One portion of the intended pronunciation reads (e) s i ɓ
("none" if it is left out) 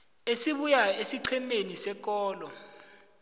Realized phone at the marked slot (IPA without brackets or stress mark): e